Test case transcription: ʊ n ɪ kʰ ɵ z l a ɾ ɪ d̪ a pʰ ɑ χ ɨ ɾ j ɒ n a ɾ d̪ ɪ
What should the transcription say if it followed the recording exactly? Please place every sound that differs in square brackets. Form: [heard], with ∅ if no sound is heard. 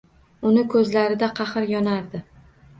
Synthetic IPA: ʊ n ɪ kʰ ɵ z l a ɾ ɪ d̪ a [qʰ] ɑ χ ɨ ɾ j ɒ n a ɾ d̪ ɪ